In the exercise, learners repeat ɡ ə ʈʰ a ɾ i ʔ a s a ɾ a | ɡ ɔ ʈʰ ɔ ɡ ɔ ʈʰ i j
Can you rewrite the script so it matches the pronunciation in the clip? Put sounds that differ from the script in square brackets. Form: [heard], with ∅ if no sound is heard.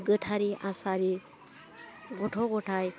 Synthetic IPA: ɡ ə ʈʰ a ɾ i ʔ a s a ɾ [i] | ɡ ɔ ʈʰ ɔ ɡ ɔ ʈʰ [a] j